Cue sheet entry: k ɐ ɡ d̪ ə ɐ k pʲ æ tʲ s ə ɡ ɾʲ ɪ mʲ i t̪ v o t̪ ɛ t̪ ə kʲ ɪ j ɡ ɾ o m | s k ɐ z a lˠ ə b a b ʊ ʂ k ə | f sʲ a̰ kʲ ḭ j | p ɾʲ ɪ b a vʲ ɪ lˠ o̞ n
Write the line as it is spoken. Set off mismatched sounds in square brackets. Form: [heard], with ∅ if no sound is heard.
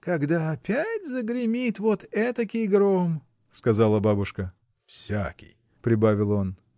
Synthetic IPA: k ɐ ɡ d̪ [a] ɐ [∅] pʲ æ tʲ [z] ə ɡ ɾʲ ɪ mʲ i t̪ v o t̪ ɛ t̪ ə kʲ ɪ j ɡ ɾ o m | s k ɐ z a lˠ ə b a b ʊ ʂ k ə | f sʲ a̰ kʲ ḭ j | p ɾʲ ɪ b a vʲ ɪ lˠ o̞ n